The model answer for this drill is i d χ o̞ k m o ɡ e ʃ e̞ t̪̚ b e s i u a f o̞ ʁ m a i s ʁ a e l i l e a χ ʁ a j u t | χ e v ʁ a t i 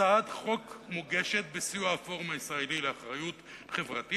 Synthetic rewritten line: a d χ o̞ k m o ɡ e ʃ e̞ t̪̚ b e s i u a f o̞ ʁ m a i s ʁ a e l i l e a χ ʁ a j u t | χ e v ʁ a t i